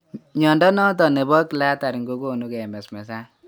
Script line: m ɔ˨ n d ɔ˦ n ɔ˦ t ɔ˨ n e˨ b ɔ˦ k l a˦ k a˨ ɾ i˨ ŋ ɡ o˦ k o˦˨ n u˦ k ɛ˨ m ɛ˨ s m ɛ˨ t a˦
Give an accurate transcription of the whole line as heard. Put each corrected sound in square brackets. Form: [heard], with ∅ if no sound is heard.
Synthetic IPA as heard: [ɲ] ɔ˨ n d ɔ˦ n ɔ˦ t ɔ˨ n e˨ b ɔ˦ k l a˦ [t] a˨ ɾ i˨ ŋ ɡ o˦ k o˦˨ n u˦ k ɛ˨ m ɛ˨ s m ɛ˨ [s] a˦